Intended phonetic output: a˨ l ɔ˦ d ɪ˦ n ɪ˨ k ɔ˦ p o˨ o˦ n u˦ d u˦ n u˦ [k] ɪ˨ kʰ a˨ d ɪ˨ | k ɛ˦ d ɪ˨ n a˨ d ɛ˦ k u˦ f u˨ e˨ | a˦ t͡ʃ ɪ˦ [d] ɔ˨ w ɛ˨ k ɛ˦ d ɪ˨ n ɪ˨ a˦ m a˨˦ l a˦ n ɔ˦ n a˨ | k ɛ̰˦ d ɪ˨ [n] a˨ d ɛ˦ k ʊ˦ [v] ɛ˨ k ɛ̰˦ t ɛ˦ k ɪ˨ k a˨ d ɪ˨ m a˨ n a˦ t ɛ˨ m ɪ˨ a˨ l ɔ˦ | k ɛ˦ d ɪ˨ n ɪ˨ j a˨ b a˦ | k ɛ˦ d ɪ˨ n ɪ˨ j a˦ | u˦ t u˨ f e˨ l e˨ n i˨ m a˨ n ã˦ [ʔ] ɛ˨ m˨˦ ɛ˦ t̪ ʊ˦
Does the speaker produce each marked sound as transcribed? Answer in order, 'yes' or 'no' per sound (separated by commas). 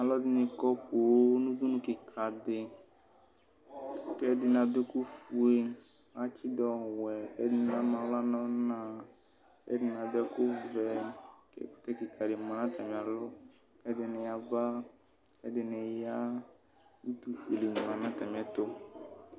yes, yes, yes, yes, no